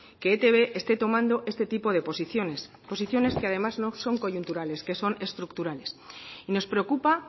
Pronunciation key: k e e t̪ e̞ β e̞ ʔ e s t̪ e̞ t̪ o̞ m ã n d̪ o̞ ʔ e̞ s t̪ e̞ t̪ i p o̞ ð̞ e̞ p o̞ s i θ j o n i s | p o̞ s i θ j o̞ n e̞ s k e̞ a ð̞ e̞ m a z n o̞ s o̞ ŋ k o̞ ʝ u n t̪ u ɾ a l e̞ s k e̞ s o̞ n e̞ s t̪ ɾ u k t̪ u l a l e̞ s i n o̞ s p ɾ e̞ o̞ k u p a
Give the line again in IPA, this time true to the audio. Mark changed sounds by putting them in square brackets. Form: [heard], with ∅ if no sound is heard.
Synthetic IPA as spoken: k e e t̪ e̞ β e̞ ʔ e s t̪ e̞ t̪ o̞ m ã n d̪ o̞ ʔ e̞ s t̪ e̞ t̪ i p o̞ ð̞ e̞ p o̞ s i θ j o n [e] s | p o̞ s i θ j o̞ n e̞ s k e̞ a ð̞ e̞ m a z n o̞ s o̞ ŋ k o̞ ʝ u n t̪ u ɾ a l e̞ s k e̞ s o̞ n e̞ s t̪ ɾ u k t̪ u [ɾ] a l e̞ s i n o̞ s p ɾ e̞ o̞ k u p a